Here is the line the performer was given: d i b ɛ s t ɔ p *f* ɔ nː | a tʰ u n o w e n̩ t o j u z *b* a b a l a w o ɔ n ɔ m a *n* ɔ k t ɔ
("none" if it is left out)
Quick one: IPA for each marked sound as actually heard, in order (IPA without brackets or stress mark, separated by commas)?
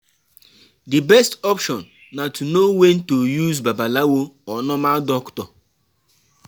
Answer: ʃ, b, d